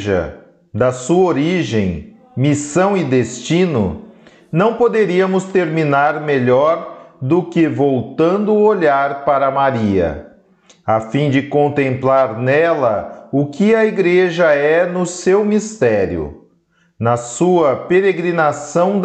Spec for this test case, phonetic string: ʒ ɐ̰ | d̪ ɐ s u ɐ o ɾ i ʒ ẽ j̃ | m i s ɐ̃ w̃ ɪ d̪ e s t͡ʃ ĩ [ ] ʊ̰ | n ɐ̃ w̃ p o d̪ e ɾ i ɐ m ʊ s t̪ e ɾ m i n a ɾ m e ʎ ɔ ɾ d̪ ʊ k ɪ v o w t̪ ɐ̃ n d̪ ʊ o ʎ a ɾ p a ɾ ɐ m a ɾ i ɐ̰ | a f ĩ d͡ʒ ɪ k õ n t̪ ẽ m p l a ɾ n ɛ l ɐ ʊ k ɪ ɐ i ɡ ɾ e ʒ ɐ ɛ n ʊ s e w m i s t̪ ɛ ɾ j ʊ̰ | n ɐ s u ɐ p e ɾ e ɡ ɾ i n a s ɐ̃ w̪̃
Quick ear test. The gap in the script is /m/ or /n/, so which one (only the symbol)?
n